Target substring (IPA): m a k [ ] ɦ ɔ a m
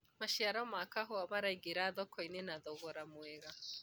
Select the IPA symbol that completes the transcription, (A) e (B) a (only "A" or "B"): B